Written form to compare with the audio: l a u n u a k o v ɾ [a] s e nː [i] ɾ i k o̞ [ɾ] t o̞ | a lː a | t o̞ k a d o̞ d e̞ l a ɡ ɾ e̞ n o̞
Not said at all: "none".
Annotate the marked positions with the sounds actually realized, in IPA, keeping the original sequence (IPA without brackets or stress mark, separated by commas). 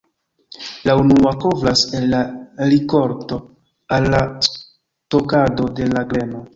a, a, ɾ